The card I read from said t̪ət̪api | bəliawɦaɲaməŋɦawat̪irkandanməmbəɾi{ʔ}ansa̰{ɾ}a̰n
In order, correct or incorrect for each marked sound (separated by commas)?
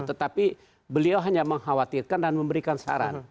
incorrect, correct